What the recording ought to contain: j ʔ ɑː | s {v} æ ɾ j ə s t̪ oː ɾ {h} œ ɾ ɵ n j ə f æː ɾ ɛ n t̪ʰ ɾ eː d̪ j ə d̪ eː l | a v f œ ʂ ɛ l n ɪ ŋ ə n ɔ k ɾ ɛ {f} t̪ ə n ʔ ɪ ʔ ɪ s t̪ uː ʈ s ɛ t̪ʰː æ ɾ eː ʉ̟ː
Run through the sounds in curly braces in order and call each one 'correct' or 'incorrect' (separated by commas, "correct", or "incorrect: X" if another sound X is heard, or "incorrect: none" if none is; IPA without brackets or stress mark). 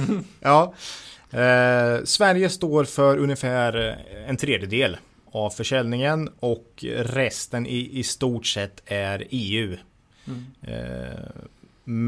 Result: correct, incorrect: f, incorrect: s